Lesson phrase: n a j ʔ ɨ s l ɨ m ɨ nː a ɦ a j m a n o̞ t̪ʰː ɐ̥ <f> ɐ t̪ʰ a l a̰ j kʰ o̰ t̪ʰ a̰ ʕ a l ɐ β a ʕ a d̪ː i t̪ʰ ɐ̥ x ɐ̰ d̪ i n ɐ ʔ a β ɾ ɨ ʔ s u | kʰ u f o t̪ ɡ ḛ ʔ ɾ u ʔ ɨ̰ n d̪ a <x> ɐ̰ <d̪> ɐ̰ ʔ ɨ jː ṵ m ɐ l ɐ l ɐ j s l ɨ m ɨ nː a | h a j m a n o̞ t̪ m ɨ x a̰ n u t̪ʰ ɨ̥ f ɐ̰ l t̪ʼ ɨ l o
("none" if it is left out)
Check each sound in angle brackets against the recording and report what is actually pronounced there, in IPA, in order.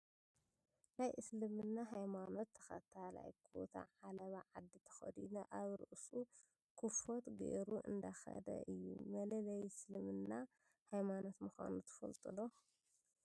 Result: x, x, d̪

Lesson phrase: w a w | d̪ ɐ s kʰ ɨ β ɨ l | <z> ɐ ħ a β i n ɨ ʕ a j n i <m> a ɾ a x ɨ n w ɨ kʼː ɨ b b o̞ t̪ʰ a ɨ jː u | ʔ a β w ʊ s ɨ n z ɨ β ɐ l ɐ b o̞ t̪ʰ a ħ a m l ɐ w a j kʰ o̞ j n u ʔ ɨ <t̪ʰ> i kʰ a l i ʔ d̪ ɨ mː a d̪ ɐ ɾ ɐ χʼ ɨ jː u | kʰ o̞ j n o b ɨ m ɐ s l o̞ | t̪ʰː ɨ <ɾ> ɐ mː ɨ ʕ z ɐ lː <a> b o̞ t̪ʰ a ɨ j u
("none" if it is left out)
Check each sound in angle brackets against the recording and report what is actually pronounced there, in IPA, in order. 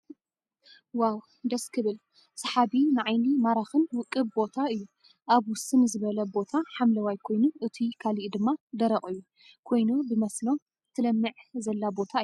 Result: s, m, t̪ʰ, l, a

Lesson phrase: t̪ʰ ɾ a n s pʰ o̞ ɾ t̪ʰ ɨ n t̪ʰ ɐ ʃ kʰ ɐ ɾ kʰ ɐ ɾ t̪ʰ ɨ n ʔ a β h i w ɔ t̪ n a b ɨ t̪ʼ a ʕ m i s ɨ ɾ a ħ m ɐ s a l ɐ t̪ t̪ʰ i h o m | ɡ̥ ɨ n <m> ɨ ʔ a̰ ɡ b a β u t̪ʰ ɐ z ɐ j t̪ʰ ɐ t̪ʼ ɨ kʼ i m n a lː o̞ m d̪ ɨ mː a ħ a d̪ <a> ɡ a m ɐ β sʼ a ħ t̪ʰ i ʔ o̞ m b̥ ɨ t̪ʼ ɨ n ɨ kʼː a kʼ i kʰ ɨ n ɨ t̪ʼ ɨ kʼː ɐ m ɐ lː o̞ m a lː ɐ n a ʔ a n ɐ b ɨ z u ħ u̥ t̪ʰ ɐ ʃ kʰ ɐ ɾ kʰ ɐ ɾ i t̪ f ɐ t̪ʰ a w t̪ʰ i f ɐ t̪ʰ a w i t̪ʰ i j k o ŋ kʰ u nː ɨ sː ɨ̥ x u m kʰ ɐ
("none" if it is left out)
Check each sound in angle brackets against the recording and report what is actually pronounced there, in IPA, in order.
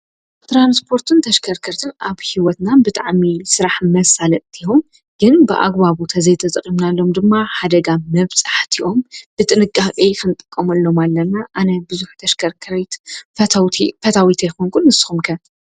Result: b, ɐ

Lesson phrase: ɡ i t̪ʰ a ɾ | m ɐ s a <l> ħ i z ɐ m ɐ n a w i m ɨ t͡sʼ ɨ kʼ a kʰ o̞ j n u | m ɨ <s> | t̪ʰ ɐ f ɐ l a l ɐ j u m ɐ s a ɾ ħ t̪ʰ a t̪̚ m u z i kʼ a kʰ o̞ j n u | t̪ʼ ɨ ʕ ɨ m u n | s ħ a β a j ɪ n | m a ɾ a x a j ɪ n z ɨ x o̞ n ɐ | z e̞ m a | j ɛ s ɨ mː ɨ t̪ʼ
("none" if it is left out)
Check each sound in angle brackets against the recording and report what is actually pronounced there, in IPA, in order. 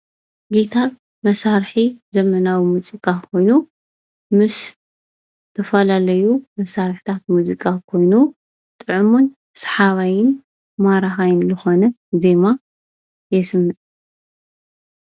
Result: ɾ, s

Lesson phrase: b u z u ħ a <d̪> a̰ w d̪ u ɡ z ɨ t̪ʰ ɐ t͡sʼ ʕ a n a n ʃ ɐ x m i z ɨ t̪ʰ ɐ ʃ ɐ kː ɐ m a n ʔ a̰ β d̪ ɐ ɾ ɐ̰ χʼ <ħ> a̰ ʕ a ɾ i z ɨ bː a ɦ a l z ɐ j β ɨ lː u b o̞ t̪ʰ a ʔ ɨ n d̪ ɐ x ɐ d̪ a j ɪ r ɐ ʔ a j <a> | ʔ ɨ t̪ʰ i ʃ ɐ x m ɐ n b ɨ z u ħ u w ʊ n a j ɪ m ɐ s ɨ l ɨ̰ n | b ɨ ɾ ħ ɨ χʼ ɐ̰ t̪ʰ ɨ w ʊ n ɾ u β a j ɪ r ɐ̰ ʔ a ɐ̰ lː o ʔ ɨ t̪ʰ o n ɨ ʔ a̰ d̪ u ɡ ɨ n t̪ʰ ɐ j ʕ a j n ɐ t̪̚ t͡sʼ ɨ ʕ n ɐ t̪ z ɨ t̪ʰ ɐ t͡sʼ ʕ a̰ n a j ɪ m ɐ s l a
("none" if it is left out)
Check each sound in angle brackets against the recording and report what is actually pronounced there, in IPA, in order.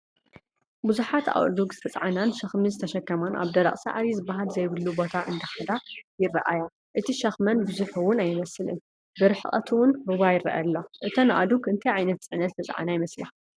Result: t̪, s, a

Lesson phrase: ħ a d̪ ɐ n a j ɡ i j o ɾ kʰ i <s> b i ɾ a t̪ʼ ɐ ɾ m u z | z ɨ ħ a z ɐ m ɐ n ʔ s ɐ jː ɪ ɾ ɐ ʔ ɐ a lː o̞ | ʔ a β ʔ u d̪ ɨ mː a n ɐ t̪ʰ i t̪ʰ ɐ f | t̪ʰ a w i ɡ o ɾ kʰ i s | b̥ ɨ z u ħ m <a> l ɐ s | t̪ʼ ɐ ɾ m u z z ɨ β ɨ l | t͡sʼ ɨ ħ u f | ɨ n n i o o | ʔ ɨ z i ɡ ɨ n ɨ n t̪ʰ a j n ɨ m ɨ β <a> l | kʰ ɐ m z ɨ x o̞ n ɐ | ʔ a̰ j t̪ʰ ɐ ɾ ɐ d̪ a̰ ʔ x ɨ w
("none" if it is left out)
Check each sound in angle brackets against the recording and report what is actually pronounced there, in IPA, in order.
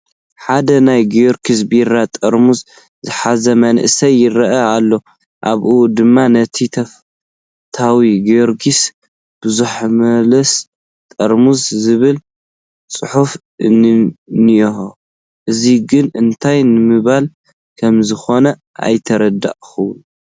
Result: s, ɐ, a

